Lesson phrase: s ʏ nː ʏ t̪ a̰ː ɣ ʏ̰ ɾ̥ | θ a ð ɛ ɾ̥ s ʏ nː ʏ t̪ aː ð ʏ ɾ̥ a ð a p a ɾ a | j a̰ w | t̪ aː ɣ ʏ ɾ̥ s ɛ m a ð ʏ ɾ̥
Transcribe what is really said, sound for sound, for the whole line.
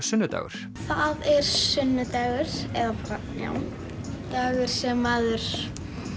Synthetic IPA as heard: s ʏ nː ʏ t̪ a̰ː ɣ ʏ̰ ɾ̥ | θ a ð ɛ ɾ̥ s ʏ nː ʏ t̪ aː ɣ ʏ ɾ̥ ɛ ð a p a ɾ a | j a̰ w | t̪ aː ɣ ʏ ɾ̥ s ɛ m a ð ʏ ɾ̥